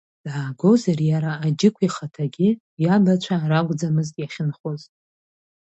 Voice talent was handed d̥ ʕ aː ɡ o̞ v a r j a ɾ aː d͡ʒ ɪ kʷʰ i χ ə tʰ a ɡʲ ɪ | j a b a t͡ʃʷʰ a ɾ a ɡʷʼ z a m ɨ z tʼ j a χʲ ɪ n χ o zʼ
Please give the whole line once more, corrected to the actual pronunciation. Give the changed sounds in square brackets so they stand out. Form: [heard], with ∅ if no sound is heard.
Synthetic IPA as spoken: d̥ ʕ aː ɡ o̞ [z] a r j a ɾ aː d͡ʒ ɪ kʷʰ i χ [a] tʰ a ɡʲ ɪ | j a b a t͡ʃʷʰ a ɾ a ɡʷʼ [d͡z] a m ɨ z tʼ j a χʲ ɪ n χ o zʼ

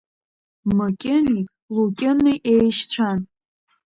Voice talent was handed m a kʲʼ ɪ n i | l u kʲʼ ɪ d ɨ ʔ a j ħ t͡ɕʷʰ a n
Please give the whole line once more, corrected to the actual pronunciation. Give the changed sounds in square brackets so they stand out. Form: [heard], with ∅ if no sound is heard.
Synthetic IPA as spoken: m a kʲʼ ɪ n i | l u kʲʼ ɪ [n] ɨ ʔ [e] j [ʃ] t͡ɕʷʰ a n

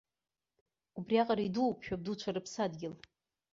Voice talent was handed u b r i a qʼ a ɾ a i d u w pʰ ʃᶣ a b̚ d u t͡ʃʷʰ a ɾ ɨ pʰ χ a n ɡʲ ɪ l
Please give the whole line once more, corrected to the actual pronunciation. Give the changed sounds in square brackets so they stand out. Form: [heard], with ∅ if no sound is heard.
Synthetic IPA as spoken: u b r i a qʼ a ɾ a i d u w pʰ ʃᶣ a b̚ d u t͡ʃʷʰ a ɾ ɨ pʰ [s] a [d] ɡʲ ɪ l

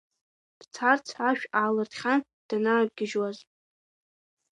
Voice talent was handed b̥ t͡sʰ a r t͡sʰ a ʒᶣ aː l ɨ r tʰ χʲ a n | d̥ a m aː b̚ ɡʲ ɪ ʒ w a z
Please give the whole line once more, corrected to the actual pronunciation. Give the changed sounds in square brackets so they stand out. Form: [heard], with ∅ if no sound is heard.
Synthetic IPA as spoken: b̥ t͡sʰ a r t͡sʰ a [ʃᶣ] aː l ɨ r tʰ χʲ a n | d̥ a [n] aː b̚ ɡʲ ɪ ʒ w a z

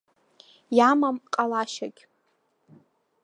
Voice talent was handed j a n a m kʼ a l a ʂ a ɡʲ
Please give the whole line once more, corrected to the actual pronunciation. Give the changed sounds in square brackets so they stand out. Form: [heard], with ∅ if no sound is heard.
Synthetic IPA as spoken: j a [m] a m [qʼ] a l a [ʃ] a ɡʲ

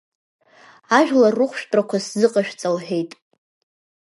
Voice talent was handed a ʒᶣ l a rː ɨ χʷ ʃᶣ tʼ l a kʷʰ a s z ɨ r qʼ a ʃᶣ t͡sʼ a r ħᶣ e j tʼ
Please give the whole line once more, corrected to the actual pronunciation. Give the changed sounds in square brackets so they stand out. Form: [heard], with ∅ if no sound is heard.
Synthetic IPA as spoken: a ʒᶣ l a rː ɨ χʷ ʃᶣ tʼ [r] a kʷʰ a s z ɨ [∅] qʼ a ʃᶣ t͡sʼ a [l] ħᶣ e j tʼ

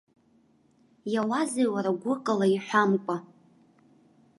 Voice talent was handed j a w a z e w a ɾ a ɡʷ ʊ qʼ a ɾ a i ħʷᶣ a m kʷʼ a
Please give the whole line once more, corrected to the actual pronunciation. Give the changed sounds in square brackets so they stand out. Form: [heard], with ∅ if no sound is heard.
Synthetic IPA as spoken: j a w a z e w a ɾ a ɡʷ ʊ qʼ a [l] a i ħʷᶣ a m kʷʼ a

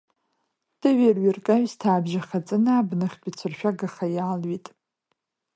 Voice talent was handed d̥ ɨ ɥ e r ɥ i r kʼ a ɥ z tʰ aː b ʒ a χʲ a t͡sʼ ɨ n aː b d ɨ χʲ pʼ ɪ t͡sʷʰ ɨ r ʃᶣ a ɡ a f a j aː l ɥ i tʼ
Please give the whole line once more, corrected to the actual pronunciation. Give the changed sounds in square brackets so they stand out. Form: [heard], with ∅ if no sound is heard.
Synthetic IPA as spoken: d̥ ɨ ɥ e r ɥ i r kʼ a ɥ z tʰ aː b ʒ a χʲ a t͡sʼ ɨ n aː b [n] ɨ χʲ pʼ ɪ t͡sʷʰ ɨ r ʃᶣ a ɡ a [χ] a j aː l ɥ i tʼ

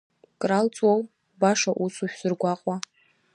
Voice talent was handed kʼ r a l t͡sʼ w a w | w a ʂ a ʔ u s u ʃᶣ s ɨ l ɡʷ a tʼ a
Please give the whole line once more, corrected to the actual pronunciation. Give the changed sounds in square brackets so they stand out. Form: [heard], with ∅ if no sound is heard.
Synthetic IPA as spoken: kʼ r a l t͡sʼ w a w | [b] a ʂ a ʔ u s u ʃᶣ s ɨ [r] ɡʷ a [qʼ] a

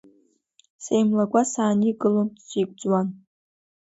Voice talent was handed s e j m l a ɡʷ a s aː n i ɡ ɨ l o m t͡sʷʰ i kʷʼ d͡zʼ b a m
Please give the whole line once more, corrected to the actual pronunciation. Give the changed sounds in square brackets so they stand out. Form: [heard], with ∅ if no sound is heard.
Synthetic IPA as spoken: s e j m l a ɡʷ a s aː n i ɡ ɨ l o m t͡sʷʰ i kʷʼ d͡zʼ [w] a [n]

